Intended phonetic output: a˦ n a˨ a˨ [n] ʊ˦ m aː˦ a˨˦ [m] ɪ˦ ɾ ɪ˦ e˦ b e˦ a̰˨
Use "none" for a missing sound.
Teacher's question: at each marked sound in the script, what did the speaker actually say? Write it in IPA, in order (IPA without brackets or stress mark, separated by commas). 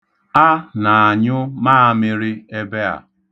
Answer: ɲ, m